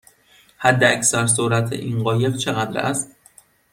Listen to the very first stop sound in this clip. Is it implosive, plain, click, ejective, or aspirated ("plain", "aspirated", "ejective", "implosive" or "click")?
plain